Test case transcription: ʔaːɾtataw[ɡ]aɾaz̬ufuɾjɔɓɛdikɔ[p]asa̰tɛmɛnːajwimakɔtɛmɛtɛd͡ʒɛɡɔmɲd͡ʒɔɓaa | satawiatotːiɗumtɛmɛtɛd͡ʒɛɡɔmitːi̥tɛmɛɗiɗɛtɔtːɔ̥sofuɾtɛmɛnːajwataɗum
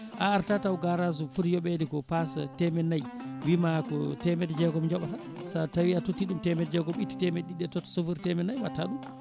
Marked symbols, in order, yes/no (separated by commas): yes, yes